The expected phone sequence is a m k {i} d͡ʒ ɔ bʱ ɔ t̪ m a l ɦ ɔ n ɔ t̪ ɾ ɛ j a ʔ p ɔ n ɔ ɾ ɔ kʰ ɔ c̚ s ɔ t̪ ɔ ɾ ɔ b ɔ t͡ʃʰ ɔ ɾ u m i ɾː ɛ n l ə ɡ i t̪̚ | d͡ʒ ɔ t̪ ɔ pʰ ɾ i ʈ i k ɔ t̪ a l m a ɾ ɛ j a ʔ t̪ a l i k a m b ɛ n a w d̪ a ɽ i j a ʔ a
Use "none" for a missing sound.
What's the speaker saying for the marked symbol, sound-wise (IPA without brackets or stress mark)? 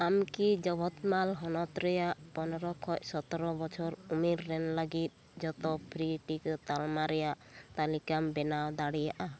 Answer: i